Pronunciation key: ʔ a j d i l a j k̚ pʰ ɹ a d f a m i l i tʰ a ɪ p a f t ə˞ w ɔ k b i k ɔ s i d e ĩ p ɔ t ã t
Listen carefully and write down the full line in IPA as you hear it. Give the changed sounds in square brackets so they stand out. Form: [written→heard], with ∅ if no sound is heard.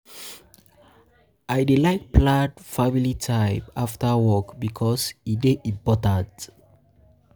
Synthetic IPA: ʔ a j d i l a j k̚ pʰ [ɹ→l] a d f a m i l i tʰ a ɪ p a f t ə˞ w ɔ k b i [k→kʰ] ɔ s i d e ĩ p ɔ t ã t